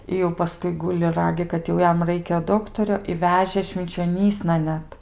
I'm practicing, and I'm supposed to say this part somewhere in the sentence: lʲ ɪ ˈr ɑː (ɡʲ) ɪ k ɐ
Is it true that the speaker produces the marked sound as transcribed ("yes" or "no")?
yes